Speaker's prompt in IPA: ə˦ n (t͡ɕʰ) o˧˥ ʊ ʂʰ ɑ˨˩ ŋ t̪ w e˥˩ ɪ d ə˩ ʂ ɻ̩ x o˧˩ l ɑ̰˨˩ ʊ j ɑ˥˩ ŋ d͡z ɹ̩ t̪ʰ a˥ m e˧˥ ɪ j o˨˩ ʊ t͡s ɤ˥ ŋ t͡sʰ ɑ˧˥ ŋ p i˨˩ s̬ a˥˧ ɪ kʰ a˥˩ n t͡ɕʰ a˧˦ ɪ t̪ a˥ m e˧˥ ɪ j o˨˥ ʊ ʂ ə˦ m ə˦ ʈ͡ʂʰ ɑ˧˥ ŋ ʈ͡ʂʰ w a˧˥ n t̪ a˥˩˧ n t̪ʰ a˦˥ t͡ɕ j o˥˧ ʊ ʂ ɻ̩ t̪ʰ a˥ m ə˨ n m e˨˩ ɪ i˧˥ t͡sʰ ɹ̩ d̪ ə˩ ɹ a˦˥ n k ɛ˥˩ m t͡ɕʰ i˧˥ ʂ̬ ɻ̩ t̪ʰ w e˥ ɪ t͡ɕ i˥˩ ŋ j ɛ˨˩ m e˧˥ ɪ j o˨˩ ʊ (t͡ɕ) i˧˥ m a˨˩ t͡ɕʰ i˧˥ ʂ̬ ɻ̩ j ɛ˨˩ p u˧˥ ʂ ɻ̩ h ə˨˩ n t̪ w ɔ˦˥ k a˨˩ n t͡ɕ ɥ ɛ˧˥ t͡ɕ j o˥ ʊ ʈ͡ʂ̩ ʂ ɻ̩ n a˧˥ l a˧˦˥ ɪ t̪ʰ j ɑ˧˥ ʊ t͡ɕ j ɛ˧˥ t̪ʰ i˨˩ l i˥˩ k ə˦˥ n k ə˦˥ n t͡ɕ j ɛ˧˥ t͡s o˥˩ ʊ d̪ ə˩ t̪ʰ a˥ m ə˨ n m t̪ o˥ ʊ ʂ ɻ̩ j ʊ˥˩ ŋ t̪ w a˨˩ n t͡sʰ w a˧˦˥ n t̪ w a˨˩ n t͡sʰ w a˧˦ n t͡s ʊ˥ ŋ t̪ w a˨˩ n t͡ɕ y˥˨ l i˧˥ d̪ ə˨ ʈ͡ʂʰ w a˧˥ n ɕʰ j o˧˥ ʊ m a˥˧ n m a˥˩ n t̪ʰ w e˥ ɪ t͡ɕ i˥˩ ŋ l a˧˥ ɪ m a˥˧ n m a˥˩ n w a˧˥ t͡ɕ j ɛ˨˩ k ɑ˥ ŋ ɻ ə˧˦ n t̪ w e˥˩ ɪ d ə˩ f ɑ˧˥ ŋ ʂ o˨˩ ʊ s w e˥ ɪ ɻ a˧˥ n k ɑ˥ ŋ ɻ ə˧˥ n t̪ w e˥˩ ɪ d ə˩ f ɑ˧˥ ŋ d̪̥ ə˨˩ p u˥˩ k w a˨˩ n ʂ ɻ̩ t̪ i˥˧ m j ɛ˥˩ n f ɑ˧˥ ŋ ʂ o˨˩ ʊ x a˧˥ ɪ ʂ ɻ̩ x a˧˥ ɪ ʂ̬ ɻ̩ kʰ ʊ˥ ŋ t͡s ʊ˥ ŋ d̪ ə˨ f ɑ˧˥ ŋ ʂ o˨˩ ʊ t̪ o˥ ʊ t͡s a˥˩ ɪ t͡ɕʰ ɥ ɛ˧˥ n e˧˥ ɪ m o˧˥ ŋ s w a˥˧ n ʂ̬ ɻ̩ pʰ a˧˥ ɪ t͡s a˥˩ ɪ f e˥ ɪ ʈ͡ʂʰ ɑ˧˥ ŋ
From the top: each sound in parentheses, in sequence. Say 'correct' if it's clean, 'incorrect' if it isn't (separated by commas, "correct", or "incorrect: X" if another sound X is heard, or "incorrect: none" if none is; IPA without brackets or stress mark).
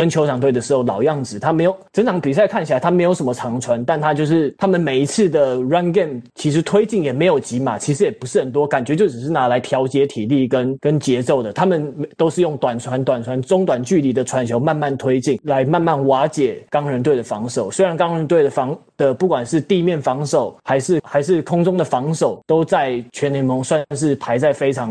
correct, correct